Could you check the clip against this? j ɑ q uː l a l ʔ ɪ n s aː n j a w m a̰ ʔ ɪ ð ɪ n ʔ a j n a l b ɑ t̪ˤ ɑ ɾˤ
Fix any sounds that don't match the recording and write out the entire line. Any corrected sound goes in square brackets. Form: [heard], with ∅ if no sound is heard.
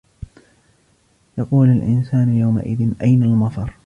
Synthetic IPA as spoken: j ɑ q uː l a l ʔ ɪ n s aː n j a w m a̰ ʔ ɪ ð ɪ n ʔ a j n a l [m] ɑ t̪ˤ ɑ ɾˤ

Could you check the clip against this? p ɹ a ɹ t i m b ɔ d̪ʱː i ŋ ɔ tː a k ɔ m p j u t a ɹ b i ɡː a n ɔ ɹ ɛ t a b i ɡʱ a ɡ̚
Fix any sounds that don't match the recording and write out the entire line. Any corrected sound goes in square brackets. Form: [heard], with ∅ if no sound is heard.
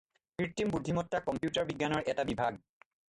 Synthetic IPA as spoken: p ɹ [i] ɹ t i m b [u] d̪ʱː i [m] ɔ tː a k ɔ m p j u t a ɹ b i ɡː a n ɔ ɹ ɛ t a b i [bʱ] a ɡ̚

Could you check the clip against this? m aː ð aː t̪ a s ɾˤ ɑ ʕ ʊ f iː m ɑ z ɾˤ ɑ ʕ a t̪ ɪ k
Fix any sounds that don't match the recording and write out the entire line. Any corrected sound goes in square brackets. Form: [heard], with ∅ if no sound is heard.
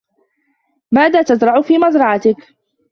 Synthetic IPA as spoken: m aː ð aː t̪ a [z] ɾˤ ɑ ʕ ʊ f iː m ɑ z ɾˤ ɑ ʕ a t̪ ɪ k

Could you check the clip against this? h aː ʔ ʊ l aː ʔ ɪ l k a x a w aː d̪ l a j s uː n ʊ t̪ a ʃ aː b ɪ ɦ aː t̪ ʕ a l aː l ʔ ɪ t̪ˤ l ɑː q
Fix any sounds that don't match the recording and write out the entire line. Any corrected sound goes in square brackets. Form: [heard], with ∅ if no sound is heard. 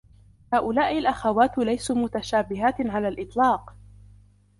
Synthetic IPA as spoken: h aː ʔ ʊ l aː ʔ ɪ l [ʔ] a x a w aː [t̪] l a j s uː [m] ʊ t̪ a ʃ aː b ɪ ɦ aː t̪ ʕ a l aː l ʔ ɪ t̪ˤ l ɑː q

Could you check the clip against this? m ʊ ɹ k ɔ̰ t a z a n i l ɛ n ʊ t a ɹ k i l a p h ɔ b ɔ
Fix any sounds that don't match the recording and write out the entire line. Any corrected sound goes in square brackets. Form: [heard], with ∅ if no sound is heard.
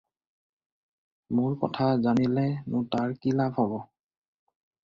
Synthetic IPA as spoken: m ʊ ɹ k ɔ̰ [tʰ] a z a n i l ɛ n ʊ t a ɹ k i l a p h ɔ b ɔ

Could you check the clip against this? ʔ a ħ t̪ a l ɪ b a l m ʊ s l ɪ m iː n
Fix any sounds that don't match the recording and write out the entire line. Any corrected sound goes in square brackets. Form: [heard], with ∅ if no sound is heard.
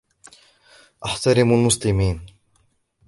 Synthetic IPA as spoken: ʔ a ħ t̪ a [ɾ] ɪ [m] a l m ʊ s l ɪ m iː n

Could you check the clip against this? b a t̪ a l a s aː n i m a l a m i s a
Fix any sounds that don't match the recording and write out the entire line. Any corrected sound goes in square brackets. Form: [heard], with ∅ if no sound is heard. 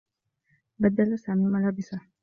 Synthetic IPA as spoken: b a [d̪] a l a s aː [m] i m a l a [b] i s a

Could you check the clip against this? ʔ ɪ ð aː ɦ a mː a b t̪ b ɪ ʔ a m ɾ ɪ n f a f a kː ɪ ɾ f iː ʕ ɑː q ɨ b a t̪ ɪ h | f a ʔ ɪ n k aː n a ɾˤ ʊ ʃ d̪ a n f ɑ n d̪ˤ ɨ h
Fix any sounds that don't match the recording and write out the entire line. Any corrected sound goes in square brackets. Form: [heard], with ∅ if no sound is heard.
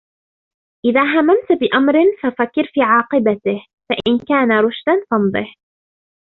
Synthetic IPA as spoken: ʔ ɪ ð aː ɦ a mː a [m] t̪ b ɪ ʔ a m ɾ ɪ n f a f a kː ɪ ɾ f iː ʕ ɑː q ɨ b a t̪ ɪ h | f a ʔ ɪ n k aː n a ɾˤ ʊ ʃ d̪ a n f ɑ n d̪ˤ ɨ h

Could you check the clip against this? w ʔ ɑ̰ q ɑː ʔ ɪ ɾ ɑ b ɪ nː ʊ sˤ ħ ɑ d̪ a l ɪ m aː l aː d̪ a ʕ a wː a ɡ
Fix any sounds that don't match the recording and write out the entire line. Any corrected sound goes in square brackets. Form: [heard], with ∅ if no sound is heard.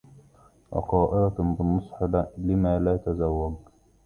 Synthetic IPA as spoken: w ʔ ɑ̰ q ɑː ʔ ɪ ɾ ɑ b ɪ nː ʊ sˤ ħ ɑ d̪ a l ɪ m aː l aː [t̪] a [z] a wː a ɡ

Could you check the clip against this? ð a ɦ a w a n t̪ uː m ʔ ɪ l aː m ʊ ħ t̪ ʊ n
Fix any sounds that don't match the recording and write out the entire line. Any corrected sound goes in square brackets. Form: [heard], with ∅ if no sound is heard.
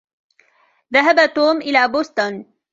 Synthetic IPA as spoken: ð a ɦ a [b] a [∅] t̪ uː m ʔ ɪ l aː [b] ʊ [s] t̪ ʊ n

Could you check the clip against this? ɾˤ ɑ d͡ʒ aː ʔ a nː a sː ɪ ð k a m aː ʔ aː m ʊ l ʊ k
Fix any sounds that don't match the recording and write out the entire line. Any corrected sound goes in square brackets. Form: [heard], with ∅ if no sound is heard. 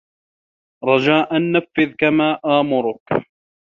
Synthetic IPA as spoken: ɾˤ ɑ d͡ʒ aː ʔ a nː a [fː] ɪ ð k a m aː ʔ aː m ʊ [ɾ] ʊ k

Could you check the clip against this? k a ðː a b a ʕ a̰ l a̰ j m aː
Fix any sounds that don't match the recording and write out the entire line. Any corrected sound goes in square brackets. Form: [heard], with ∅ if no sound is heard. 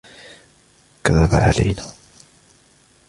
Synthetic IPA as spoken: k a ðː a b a ʕ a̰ l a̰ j [n] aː

